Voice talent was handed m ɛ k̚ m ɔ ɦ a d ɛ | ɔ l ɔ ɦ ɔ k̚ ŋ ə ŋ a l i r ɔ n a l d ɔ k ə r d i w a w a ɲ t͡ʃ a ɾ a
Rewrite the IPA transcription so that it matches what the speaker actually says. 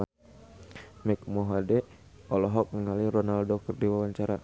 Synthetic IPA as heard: m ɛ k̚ m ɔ ɦ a d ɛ | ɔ l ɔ ɦ ɔ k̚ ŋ ə ŋ a l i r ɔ n a l d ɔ k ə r d i w a w a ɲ t͡ʃ a ɾ a